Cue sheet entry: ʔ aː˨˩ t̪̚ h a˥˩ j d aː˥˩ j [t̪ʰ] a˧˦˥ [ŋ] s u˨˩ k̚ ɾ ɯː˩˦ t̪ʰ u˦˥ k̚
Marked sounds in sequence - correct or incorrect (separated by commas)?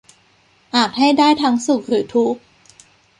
correct, correct